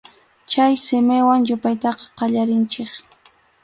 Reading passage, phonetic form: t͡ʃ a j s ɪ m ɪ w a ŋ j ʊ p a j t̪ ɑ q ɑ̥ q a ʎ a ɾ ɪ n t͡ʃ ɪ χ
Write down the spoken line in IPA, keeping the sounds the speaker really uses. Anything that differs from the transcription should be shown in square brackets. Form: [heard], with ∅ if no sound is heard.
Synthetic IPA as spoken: t͡ʃ a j s ɪ m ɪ w a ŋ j ʊ p a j t̪ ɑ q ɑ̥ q [ɑ] ʎ a ɾ ɪ n t͡ʃ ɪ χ